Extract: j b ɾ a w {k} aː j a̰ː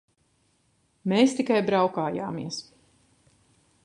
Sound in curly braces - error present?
no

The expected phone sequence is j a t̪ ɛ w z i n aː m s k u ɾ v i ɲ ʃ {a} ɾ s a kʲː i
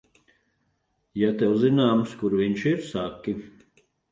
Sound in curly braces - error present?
yes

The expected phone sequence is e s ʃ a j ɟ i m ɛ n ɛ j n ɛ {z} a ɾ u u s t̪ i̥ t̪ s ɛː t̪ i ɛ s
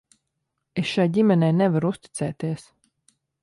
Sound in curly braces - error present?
yes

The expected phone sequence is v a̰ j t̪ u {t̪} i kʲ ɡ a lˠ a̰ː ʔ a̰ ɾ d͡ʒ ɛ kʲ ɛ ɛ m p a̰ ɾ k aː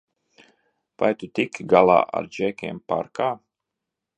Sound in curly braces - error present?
no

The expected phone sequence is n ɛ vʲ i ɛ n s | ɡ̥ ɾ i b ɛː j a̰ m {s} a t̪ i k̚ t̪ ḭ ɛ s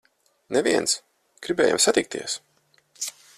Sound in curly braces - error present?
no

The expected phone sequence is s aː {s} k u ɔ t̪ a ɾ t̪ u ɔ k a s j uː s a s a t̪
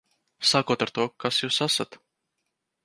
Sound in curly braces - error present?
yes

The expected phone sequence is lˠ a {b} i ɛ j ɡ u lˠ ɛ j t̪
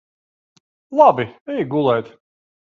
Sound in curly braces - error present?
no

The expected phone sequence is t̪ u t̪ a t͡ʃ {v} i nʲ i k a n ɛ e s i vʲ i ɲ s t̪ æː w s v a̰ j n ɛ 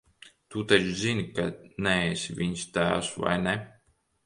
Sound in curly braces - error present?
yes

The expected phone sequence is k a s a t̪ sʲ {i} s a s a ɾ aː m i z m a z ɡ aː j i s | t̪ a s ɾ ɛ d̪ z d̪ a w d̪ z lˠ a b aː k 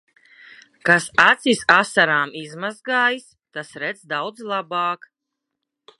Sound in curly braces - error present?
no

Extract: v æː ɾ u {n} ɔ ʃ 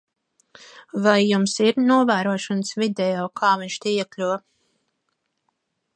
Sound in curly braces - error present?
yes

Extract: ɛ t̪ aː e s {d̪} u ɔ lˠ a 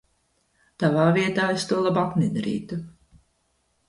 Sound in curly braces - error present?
yes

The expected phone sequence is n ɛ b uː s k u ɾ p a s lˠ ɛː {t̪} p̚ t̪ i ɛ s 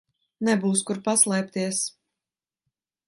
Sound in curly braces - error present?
yes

